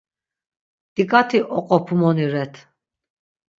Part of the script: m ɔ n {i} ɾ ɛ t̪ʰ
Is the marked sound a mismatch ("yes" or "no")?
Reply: no